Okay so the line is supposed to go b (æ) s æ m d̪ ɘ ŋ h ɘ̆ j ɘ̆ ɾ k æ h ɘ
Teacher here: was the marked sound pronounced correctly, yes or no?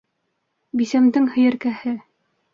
no